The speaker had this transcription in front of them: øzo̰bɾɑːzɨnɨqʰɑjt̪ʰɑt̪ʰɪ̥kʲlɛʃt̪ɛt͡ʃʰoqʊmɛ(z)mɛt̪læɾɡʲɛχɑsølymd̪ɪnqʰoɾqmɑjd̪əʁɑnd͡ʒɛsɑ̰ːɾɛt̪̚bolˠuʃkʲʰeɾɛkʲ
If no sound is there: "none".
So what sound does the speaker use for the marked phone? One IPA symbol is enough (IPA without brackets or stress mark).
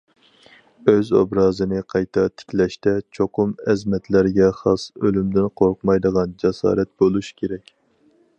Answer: z